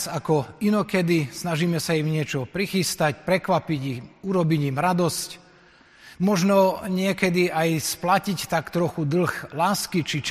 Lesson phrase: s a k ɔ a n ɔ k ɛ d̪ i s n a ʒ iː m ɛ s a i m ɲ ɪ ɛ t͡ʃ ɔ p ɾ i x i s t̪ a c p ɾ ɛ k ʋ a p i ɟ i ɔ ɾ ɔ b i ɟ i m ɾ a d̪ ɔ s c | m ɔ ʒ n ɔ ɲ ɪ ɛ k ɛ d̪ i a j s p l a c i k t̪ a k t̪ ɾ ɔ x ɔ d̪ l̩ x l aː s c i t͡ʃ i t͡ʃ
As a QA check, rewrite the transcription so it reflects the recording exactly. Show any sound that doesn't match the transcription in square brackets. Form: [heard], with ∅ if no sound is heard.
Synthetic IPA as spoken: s a k ɔ [i] n ɔ k ɛ d̪ i s n a ʒ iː m ɛ s a i m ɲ ɪ ɛ t͡ʃ ɔ p ɾ i x i s t̪ a c p ɾ ɛ k ʋ a p i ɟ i [u] ɾ ɔ b i ɟ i m ɾ a d̪ ɔ s c | m ɔ ʒ n ɔ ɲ ɪ ɛ k ɛ d̪ i a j s p l a c i [c] t̪ a k t̪ ɾ ɔ x [u] d̪ l̩ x l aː s [k] i t͡ʃ i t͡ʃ